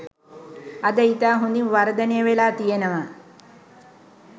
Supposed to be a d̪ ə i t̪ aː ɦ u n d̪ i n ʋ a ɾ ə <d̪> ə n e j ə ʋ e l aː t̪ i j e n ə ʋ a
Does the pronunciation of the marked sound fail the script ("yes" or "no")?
no